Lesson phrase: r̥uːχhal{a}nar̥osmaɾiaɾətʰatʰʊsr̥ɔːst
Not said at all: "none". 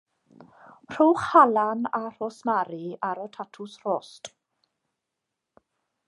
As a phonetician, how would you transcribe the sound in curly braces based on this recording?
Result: a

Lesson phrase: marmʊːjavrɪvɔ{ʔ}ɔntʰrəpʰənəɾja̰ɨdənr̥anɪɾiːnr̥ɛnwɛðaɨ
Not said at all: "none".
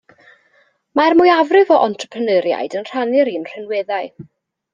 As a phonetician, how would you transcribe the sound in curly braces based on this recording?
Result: ʔ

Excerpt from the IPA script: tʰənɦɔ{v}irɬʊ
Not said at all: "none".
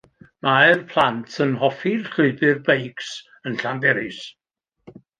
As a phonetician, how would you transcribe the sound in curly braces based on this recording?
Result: f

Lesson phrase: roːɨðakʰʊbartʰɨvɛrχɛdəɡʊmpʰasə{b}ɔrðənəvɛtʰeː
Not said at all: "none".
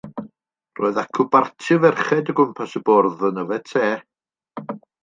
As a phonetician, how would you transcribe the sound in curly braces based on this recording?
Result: b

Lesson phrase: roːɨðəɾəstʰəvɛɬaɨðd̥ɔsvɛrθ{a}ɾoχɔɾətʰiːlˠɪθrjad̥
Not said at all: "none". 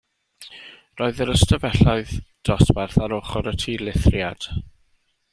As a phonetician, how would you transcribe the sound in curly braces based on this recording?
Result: a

